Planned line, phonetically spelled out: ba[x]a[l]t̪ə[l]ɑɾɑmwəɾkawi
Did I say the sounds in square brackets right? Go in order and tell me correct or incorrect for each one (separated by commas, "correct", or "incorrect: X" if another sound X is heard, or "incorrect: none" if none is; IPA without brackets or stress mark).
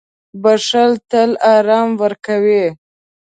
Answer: incorrect: ʂ, correct, correct